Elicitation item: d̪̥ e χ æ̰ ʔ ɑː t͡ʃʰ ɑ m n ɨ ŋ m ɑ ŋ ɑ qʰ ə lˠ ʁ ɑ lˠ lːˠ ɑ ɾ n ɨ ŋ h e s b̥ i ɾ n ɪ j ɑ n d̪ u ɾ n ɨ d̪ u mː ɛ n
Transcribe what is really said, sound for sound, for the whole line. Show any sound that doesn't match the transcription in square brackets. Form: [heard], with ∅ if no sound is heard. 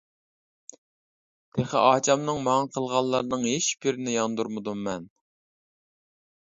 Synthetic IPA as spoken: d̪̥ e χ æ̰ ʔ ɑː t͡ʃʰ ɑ m n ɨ ŋ m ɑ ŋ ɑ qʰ ə lˠ ʁ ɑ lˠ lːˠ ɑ ɾ n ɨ ŋ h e [ʃ] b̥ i ɾ n ɪ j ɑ n d̪ u ɾ [m] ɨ d̪ u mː ɛ n